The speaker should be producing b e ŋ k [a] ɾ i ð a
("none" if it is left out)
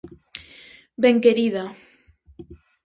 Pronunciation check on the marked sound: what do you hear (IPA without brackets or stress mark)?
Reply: e